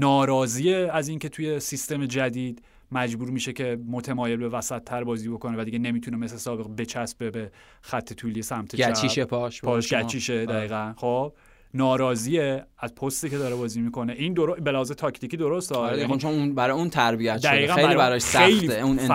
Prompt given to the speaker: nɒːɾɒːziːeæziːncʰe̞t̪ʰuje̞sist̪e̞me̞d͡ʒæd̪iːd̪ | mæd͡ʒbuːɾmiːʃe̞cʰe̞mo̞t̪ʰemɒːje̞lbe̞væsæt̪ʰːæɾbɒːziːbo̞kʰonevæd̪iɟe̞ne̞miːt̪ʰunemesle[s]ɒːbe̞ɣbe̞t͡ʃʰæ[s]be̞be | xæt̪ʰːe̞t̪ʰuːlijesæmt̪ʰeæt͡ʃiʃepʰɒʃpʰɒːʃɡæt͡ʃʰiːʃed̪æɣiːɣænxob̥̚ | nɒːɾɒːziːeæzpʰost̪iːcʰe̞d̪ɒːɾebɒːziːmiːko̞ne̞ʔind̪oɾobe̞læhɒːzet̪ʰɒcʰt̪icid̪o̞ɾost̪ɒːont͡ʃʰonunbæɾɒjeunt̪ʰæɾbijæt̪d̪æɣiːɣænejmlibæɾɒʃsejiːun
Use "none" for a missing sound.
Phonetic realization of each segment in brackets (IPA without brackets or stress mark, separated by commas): s, s